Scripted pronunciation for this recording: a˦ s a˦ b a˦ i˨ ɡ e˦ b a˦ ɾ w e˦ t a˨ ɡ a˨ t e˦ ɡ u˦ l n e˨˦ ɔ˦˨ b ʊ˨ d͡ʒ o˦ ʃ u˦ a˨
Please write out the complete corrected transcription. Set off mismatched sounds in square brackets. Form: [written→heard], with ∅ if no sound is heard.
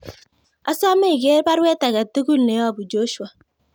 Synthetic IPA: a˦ s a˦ [b→m] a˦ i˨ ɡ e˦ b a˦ ɾ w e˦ t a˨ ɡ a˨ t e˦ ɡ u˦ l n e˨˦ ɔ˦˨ b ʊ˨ d͡ʒ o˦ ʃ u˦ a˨